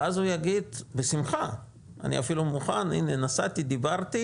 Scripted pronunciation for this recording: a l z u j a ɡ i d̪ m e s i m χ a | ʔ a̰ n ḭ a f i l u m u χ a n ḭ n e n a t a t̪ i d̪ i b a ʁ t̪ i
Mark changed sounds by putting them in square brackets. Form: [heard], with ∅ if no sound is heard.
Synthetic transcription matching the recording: a [∅] z u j a ɡ i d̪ [b] e s i m χ a | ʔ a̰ n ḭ a f i l u m u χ a n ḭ n e n a [s] a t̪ i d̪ i b a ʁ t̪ i